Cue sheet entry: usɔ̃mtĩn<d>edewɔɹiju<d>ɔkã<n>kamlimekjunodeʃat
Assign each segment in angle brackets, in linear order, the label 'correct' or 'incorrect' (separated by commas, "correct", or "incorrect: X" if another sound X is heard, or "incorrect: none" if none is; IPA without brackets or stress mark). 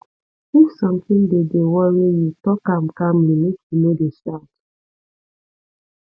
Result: correct, incorrect: t, incorrect: m